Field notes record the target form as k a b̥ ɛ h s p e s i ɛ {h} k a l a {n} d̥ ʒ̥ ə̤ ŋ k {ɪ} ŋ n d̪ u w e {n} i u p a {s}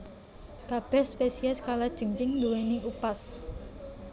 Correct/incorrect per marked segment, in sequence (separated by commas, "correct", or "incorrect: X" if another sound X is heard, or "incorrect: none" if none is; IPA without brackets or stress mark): incorrect: s, incorrect: none, correct, correct, correct